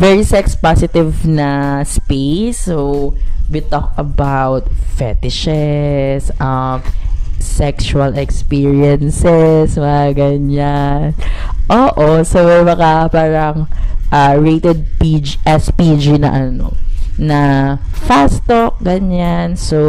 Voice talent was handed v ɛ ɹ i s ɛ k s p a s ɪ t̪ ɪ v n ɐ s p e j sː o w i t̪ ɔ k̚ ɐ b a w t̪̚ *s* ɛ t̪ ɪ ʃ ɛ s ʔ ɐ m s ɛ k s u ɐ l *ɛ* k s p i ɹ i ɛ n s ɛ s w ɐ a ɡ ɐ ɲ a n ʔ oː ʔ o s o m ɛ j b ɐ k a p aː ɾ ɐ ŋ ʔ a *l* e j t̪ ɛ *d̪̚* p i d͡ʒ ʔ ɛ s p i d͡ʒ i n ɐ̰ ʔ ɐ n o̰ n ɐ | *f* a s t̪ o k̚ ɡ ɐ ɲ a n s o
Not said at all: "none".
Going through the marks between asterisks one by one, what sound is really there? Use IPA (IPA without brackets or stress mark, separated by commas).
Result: f, ɛ, ɹ, d̪̚, f